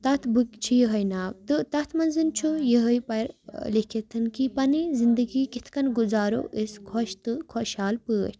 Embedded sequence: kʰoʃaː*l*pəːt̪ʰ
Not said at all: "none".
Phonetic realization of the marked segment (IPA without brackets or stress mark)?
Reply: l